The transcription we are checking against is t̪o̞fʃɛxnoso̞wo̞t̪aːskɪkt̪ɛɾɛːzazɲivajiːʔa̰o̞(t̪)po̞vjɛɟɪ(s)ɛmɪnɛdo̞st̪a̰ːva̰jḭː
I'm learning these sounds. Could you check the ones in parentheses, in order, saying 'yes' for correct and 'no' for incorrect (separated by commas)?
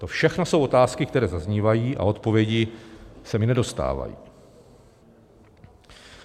yes, yes